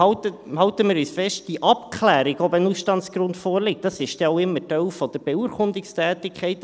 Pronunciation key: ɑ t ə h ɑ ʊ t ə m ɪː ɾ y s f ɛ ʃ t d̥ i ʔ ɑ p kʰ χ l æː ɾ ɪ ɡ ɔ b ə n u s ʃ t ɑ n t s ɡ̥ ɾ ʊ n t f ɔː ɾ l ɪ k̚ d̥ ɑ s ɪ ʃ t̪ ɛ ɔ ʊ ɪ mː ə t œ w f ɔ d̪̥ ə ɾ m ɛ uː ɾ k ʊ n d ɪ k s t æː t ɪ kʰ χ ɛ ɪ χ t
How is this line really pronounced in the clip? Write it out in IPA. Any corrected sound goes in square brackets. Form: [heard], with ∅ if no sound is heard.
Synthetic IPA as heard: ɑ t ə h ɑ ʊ t ə m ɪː ɾ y s f ɛ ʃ t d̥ i ʔ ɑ p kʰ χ l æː ɾ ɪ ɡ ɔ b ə n u s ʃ t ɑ n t s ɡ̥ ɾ ʊ n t f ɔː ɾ l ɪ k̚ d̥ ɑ s ɪ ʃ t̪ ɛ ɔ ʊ ɪ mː ə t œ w f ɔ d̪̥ ə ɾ [b] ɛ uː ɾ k ʊ n d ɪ k s t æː t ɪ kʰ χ ɛ ɪ [∅] t